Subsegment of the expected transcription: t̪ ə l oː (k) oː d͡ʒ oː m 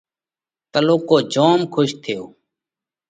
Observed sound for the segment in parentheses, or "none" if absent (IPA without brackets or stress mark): k